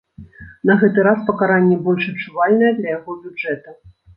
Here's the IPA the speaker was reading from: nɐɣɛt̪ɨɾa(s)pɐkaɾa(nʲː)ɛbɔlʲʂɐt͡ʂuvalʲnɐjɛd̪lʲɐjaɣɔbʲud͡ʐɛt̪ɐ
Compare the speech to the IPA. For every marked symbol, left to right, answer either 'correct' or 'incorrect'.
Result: correct, correct

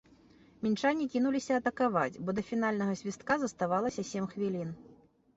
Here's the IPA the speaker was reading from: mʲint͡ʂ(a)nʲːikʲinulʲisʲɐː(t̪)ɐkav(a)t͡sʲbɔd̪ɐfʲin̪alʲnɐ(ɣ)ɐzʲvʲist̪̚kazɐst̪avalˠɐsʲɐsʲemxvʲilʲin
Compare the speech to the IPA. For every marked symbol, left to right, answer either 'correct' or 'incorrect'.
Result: correct, correct, correct, correct

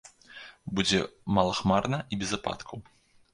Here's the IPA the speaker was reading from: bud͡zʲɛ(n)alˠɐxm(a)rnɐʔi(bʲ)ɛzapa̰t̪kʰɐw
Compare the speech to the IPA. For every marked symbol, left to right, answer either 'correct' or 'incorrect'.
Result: incorrect, correct, correct

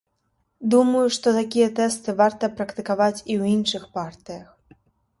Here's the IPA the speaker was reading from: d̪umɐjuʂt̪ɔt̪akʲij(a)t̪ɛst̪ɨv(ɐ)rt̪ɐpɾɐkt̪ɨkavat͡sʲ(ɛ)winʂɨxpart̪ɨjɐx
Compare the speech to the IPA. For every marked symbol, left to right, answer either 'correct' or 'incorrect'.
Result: incorrect, incorrect, incorrect

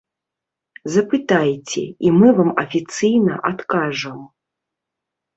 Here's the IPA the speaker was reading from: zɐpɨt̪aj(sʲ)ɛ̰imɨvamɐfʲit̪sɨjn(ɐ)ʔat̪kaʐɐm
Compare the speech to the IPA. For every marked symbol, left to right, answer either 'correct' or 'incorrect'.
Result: incorrect, correct

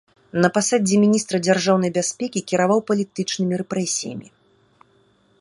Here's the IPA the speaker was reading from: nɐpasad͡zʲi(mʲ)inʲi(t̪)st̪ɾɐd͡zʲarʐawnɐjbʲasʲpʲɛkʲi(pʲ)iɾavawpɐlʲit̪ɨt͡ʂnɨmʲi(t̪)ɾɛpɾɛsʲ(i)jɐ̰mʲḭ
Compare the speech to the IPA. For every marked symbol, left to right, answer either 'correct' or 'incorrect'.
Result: correct, incorrect, incorrect, incorrect, correct

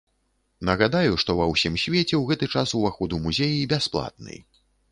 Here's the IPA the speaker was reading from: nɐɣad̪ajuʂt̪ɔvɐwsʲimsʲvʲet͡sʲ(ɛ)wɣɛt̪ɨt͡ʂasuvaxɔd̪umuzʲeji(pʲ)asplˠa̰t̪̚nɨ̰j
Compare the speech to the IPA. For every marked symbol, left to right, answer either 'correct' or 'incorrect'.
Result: correct, incorrect

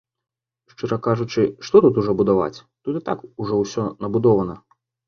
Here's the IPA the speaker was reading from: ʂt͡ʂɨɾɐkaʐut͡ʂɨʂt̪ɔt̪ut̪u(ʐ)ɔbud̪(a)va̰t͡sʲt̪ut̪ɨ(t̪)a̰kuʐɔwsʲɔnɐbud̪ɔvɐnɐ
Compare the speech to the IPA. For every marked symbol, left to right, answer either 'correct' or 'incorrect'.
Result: correct, correct, correct

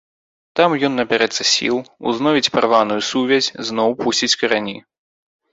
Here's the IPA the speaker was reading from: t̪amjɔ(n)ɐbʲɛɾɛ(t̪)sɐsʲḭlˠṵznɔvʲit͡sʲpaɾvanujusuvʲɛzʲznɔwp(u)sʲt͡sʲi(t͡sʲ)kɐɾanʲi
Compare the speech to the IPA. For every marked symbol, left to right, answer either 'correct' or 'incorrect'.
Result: incorrect, correct, correct, correct

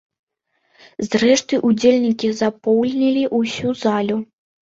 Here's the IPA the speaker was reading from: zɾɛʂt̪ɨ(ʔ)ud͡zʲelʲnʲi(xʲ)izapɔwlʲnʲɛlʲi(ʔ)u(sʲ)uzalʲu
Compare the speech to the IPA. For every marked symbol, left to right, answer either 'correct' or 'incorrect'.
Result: correct, incorrect, correct, correct

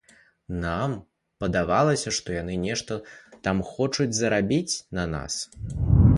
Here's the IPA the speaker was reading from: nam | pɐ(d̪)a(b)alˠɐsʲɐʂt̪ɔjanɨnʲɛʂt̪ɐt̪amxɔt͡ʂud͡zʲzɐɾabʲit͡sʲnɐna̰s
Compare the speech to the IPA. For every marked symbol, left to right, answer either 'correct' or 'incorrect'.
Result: correct, incorrect

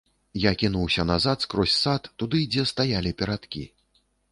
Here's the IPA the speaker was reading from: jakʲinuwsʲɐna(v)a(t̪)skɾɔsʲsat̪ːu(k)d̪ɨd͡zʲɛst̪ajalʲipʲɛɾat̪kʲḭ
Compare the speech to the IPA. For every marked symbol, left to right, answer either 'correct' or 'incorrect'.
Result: incorrect, correct, incorrect

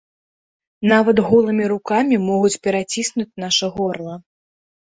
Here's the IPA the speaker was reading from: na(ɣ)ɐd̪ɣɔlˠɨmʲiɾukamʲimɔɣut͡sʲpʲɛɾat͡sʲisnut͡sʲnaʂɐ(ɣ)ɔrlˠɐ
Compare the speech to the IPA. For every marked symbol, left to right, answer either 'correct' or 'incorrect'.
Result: incorrect, correct

